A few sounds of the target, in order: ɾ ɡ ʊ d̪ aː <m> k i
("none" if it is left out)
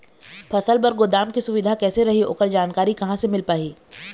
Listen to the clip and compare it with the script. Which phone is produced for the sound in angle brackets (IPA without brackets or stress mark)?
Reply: m